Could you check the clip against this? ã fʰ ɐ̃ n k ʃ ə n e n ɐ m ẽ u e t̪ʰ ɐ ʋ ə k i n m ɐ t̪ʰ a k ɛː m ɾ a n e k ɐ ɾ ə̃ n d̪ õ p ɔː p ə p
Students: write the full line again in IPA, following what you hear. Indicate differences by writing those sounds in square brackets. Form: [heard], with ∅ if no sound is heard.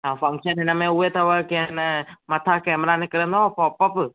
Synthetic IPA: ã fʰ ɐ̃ [ŋ] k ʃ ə n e n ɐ m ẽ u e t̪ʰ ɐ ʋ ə k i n m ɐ t̪ʰ a k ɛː m ɾ a n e k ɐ ɾ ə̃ n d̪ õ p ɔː p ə p